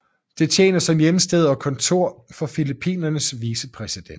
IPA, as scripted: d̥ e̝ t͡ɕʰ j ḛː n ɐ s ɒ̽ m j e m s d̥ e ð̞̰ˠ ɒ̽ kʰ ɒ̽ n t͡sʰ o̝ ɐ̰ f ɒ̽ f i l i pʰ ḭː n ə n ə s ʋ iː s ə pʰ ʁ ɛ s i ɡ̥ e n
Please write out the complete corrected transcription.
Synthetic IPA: d̥ e̝ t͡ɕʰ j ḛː n ɐ s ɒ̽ m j e m s d̥ e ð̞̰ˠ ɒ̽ kʰ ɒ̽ n t͡sʰ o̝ ɐ̰ f ɒ̽ f i l i pʰ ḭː n ɐ n ə s ʋ iː s ə pʰ ʁ ɛ s i d̥ e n